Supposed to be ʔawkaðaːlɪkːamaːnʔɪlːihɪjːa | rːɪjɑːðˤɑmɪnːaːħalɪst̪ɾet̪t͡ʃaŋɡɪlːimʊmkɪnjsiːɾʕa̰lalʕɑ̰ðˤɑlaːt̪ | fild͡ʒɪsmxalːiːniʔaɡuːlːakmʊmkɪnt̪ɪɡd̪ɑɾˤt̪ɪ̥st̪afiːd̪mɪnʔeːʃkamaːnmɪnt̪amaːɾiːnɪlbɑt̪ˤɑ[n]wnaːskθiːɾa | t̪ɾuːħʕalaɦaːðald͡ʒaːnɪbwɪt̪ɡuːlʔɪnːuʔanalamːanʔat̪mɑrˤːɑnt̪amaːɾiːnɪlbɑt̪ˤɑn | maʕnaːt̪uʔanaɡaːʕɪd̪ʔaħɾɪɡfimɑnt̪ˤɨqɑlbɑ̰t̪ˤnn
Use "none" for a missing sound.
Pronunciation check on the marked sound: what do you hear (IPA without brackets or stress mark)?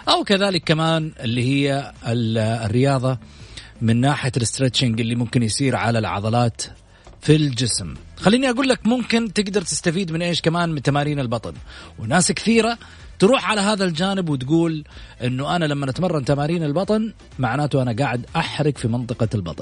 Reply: n